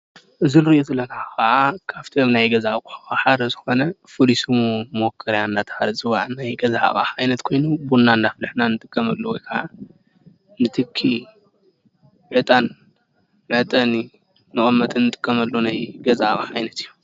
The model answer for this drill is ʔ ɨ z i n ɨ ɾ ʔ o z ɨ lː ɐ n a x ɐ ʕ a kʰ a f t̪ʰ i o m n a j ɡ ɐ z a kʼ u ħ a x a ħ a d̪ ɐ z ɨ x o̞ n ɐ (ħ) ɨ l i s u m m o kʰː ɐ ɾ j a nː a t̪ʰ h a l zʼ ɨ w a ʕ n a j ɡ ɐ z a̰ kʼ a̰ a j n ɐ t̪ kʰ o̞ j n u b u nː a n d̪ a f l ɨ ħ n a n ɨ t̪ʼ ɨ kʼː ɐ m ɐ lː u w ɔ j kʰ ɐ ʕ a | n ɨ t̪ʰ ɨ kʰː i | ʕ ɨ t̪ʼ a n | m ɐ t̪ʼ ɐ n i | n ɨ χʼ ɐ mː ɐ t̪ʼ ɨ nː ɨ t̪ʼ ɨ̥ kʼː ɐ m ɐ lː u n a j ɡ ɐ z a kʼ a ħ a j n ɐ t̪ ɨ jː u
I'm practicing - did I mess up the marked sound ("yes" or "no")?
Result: yes